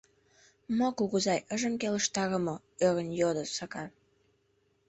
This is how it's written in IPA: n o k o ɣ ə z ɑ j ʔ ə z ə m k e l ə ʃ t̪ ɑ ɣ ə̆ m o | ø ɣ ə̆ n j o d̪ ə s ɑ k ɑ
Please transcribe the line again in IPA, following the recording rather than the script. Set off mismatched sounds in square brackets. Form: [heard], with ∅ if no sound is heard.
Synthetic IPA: [m] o k [u] ɣ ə z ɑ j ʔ ə [ʒ] ə m k e l ə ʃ t̪ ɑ ɣ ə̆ m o | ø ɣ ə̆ n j o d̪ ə s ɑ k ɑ